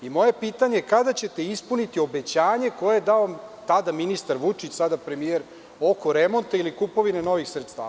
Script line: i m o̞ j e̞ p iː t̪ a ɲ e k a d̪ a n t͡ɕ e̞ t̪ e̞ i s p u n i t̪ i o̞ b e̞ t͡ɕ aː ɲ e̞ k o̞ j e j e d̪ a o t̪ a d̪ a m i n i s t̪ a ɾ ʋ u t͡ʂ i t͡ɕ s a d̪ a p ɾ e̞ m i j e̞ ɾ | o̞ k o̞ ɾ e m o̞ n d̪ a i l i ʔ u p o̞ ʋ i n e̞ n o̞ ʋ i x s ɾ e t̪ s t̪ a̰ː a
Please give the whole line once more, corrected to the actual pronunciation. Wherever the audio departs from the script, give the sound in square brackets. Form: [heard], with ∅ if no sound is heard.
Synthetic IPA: i m o̞ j e̞ p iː t̪ a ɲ e k a d̪ a [∅] t͡ɕ e̞ t̪ e̞ i s p u n i t̪ i o̞ b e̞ t͡ɕ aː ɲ e̞ k o̞ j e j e d̪ a o t̪ a d̪ a m i n i s t̪ a ɾ ʋ u t͡ʂ i t͡ɕ s a d̪ a p ɾ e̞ m i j e̞ ɾ | o̞ k o̞ ɾ e m o̞ n [t̪] a i l i [k] u p o̞ ʋ i n e̞ n o̞ ʋ i x s ɾ e t̪ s t̪ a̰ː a

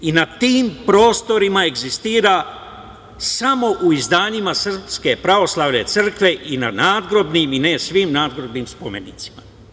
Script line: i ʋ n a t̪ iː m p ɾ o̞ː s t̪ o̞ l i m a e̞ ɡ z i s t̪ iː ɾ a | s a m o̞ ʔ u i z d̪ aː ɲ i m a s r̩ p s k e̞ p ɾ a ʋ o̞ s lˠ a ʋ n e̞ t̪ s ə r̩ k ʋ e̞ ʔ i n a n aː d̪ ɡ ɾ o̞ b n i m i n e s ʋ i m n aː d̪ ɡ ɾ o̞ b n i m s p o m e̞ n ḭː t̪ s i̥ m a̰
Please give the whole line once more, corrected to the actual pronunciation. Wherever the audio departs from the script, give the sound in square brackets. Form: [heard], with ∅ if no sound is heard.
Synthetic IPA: i [∅] n a t̪ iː m p ɾ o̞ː s t̪ o̞ [ɾ] i m a e̞ ɡ z i s t̪ iː ɾ a | s a m o̞ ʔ u i z d̪ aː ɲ i m a s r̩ p s k e̞ p ɾ a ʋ o̞ s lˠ a ʋ n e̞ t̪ s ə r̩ k ʋ e̞ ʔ i n a n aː d̪ ɡ ɾ o̞ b n i m i n e s ʋ i m n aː d̪ ɡ ɾ o̞ b n i m s p o m e̞ n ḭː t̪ s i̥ m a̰

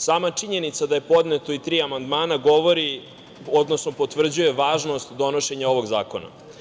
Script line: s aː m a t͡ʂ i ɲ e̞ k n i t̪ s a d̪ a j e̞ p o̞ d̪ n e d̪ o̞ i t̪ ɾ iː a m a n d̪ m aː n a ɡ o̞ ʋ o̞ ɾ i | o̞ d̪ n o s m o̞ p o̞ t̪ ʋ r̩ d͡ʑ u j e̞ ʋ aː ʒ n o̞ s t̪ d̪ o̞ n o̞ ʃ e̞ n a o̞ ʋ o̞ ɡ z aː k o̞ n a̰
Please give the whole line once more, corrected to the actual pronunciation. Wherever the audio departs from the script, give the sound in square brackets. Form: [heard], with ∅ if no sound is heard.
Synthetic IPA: s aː m a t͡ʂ i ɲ e̞ [∅] n i t̪ s a d̪ a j e̞ p o̞ d̪ n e [t̪] o̞ i t̪ ɾ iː a m a n d̪ m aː n a ɡ o̞ ʋ o̞ ɾ i | o̞ d̪ n o s [n] o̞ p o̞ t̪ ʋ r̩ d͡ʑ u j e̞ ʋ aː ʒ n o̞ s t̪ d̪ o̞ n o̞ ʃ e̞ [ɲ] a o̞ ʋ o̞ ɡ z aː k o̞ n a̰

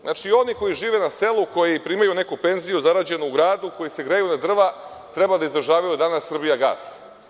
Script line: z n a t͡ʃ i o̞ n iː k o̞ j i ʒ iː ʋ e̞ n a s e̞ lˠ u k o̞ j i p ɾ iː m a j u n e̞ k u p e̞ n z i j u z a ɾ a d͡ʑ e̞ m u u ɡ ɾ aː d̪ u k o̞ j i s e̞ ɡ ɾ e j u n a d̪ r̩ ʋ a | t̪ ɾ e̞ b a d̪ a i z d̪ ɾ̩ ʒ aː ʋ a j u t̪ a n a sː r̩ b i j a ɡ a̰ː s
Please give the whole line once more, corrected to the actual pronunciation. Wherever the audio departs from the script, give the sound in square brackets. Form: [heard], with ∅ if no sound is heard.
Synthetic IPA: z n a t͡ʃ i o̞ n [i] k o̞ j i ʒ iː ʋ e̞ n a s e̞ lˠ u k o̞ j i p ɾ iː m a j u n e̞ k u p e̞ n z i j u z a ɾ a d͡ʑ e̞ [n] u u ɡ ɾ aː d̪ u k o̞ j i s e̞ ɡ ɾ e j u n a d̪ r̩ ʋ a | t̪ ɾ e̞ b a d̪ a i z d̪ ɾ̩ ʒ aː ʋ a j u [d̪] a n a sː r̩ b i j a ɡ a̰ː s

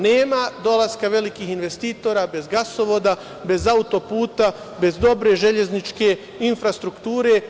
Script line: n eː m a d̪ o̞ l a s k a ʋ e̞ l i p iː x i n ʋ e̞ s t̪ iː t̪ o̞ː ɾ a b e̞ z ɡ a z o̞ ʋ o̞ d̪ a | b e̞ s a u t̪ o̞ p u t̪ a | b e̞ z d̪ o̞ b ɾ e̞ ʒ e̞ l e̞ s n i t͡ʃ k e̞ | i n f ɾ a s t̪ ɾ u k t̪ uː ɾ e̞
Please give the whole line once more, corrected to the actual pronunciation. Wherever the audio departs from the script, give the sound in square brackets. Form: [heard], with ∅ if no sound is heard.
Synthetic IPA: n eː m a d̪ o̞ l a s k a ʋ e̞ l i [k] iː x i n ʋ e̞ s t̪ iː t̪ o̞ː ɾ a b e̞ z ɡ a [s] o̞ ʋ o̞ d̪ a | b e̞ [z] a u t̪ o̞ p [uː] t̪ a | b e̞ z d̪ o̞ b ɾ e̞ ʒ e̞ [ʎ] e̞ [z] n i t͡ʃ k e̞ | i n f ɾ a s t̪ ɾ u k t̪ uː ɾ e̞

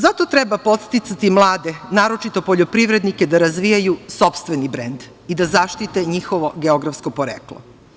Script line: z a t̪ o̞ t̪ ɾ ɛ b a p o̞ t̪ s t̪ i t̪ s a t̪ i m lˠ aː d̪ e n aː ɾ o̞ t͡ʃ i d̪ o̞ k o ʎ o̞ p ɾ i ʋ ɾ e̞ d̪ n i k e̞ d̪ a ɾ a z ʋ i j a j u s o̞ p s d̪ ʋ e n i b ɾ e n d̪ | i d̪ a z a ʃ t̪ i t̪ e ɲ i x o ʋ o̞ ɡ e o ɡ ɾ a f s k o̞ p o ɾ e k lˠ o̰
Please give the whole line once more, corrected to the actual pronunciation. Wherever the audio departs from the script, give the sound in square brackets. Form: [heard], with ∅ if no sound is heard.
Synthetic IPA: z a t̪ o̞ t̪ ɾ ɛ b a p o̞ t̪ s t̪ i t̪ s a t̪ i m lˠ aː d̪ e n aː ɾ o̞ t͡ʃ i [t̪] o̞ [p] o ʎ o̞ p ɾ i ʋ ɾ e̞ d̪ n i k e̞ d̪ a ɾ a z ʋ i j a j u s o̞ p s [t̪] ʋ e n i b ɾ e n d̪ | i d̪ a z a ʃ t̪ i t̪ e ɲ i x o ʋ o̞ ɡ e o ɡ ɾ a f s k o̞ p o ɾ e k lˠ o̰

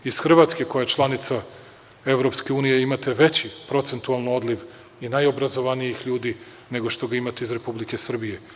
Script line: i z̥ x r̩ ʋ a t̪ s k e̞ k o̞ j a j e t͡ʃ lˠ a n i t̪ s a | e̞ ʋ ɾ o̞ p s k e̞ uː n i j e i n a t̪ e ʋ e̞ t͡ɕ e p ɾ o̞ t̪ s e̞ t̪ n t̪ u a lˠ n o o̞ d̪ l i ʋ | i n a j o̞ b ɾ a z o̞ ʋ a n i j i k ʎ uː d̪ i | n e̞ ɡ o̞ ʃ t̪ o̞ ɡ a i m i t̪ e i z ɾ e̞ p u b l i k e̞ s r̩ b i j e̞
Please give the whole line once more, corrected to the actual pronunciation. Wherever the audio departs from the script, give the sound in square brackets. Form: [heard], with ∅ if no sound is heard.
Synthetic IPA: i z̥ x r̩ ʋ a t̪ s k e̞ k o̞ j a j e t͡ʃ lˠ a n i t̪ s a | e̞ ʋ ɾ o̞ p s k e̞ uː n i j e i [m] a t̪ e ʋ e̞ t͡ɕ [i] p ɾ o̞ t̪ s e̞ [∅] n t̪ u a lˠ n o o̞ d̪ l i ʋ | i n a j o̞ b ɾ a z o̞ ʋ a n i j i [x] ʎ uː d̪ i | n e̞ ɡ o̞ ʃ t̪ o̞ ɡ a i m [a] t̪ e i z ɾ e̞ p u b l i k e̞ s r̩ b i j e̞

